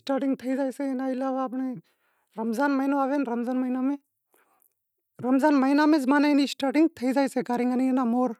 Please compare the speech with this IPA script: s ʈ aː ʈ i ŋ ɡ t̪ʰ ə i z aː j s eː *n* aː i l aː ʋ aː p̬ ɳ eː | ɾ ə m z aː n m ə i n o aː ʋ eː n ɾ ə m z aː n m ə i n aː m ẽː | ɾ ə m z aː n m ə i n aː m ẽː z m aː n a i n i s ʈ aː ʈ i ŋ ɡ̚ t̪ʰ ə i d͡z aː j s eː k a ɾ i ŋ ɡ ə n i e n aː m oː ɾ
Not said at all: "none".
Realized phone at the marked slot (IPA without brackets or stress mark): n